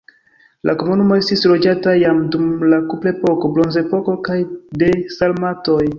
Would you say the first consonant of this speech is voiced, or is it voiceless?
voiced